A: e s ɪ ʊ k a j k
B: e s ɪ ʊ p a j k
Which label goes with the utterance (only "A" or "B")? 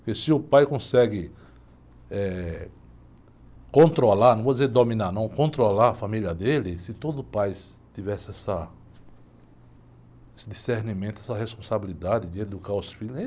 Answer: B